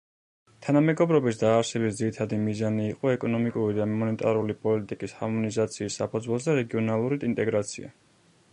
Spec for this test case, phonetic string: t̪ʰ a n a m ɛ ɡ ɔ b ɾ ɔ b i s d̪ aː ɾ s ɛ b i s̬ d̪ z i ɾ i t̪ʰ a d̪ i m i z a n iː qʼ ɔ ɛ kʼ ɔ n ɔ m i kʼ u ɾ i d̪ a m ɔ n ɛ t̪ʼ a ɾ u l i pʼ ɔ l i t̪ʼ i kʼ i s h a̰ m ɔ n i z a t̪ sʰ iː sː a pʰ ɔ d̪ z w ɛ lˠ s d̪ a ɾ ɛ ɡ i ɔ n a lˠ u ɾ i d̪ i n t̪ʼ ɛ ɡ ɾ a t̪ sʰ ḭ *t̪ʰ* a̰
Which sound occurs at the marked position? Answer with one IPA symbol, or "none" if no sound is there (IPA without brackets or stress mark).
none